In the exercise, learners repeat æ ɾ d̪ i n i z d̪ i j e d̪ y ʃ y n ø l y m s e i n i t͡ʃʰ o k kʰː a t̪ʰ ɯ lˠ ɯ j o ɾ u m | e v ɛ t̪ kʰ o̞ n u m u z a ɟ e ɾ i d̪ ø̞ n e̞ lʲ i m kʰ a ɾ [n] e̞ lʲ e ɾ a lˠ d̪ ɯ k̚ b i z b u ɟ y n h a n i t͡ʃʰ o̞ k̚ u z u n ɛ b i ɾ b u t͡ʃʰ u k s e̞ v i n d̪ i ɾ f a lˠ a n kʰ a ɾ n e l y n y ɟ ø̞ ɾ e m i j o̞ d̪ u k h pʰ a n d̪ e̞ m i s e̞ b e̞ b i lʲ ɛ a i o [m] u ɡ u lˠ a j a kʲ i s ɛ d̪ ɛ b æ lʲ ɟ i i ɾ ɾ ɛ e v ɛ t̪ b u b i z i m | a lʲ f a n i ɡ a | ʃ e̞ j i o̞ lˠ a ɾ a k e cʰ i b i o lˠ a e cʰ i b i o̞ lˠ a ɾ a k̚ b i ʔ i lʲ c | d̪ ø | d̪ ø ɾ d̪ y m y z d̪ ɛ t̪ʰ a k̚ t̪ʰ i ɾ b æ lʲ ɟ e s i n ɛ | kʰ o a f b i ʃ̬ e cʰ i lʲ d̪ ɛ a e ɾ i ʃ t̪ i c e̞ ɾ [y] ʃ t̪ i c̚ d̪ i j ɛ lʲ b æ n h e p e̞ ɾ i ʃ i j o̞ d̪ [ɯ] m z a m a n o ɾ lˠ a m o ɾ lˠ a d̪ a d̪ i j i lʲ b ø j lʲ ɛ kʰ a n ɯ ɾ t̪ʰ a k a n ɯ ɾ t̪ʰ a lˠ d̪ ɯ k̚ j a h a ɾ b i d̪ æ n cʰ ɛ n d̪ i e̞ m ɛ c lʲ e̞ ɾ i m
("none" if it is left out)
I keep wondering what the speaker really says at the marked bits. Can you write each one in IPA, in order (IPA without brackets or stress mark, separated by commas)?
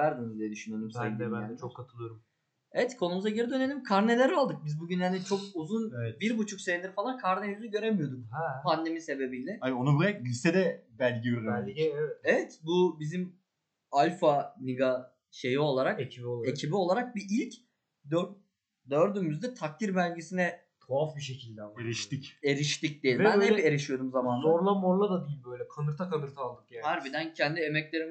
n, n, i, u